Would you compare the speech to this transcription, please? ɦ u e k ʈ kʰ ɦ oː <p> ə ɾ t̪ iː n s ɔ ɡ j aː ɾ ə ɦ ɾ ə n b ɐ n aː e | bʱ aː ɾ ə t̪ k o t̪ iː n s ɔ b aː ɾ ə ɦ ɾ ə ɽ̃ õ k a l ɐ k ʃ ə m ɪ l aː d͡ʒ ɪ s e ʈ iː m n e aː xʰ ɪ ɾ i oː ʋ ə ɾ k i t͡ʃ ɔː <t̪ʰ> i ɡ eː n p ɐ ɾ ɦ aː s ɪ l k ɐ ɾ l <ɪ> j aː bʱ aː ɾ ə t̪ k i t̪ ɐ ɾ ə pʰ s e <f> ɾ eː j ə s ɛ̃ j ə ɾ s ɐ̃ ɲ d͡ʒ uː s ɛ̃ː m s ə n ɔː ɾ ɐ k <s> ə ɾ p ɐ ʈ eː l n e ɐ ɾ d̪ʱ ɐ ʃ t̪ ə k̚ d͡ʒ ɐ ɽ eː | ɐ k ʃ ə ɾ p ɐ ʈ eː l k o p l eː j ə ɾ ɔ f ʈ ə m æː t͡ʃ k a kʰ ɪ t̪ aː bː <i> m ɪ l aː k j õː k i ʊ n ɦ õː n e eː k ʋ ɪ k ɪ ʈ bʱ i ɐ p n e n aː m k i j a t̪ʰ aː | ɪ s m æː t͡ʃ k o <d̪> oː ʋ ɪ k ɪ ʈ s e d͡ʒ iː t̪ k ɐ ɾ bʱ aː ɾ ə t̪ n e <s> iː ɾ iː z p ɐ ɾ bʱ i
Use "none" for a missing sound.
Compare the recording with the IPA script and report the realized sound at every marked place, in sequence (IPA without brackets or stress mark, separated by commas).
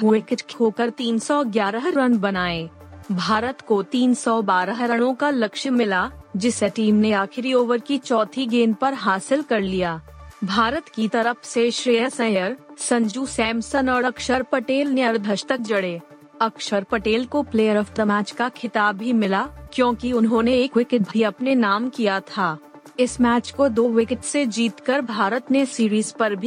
k, t̪ʰ, i, ʃ, ʃ, i, d̪, s